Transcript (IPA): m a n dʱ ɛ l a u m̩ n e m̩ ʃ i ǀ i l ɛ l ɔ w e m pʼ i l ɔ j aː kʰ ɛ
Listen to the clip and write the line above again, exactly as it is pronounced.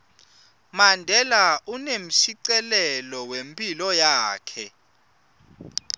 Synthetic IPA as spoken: m a n dʱ ɛ l a u n e m̩ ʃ i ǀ ɛ l ɛ l ɔ w e m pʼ i l ɔ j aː kʰ ɛ